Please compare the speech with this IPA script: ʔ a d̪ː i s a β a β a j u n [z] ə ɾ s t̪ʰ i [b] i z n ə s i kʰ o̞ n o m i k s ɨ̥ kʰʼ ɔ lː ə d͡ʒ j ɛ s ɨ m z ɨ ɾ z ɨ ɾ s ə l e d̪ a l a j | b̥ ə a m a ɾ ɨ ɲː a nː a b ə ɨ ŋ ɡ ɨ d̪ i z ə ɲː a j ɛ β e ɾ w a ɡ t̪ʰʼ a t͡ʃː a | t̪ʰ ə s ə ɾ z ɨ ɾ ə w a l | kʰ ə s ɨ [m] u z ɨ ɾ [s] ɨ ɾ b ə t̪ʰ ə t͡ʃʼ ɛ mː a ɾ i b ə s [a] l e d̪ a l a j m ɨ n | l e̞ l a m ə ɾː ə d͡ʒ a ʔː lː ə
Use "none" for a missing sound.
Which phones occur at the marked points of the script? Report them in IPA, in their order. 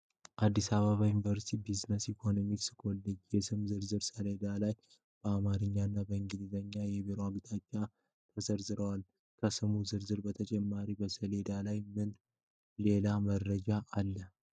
v, b, m, z, ə

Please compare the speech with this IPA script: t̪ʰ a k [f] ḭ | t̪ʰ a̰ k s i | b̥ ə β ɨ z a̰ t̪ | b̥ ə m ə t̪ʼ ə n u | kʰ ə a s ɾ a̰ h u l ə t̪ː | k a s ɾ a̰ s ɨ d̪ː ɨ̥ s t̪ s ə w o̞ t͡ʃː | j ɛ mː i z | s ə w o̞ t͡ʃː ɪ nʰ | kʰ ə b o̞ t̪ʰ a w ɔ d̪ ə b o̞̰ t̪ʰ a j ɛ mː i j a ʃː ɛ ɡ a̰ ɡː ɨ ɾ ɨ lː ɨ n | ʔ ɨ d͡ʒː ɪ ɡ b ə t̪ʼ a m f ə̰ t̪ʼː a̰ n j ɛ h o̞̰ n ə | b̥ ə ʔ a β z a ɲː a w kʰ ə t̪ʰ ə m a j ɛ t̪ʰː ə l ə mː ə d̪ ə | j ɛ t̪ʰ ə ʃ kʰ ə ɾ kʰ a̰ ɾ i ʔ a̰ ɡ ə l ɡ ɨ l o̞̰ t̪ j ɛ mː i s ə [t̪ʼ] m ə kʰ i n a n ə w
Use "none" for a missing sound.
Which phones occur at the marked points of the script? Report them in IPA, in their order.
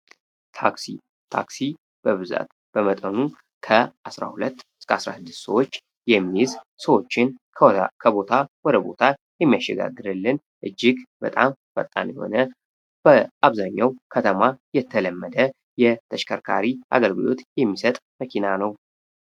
s, t̪ʼ

